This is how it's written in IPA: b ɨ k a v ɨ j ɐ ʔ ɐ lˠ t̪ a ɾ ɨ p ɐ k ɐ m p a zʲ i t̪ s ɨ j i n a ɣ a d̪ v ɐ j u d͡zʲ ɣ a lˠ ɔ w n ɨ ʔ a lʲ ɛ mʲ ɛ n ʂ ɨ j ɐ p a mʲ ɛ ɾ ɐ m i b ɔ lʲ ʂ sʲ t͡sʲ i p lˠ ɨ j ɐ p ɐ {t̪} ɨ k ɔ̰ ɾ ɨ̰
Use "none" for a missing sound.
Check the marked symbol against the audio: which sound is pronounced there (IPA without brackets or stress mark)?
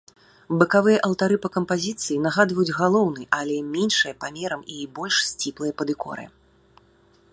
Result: d̪